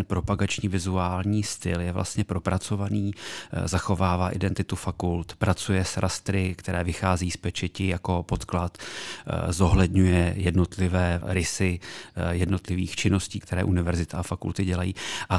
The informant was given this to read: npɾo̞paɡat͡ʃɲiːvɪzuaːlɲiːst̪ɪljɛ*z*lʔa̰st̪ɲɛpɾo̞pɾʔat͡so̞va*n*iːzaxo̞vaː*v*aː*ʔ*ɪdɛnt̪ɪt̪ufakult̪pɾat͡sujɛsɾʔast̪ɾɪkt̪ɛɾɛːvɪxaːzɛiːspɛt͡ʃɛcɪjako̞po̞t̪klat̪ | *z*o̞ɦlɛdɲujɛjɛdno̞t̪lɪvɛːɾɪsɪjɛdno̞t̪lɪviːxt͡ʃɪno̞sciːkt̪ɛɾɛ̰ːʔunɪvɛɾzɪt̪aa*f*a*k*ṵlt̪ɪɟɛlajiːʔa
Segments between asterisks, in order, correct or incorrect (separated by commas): incorrect, correct, correct, correct, correct, correct, correct